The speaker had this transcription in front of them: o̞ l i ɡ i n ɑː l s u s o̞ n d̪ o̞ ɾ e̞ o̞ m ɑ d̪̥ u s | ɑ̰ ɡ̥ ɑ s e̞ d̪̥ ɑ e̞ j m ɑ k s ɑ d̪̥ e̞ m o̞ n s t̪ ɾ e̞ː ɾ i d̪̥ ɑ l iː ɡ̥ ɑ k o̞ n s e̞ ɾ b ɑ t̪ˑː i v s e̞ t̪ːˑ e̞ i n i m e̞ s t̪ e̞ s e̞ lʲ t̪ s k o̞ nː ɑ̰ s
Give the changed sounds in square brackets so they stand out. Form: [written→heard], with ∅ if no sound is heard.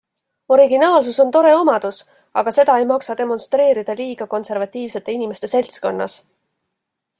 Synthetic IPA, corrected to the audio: o̞ [l→ɾ] i ɡ i n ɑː l s u s o̞ n [d̪→t̪] o̞ ɾ e̞ o̞ m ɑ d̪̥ u s | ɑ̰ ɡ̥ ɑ s e̞ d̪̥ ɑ e̞ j m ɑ k s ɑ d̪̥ e̞ m o̞ n s t̪ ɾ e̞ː ɾ i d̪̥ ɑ l iː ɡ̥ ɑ k o̞ n s e̞ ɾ [b→v] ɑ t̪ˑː [i→iː] v s e̞ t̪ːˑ e̞ i n i m e̞ s t̪ e̞ s e̞ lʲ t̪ s k o̞ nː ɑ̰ s